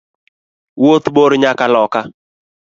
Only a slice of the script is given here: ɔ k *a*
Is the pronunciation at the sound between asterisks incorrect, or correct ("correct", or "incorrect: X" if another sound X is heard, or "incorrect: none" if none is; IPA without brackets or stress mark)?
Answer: correct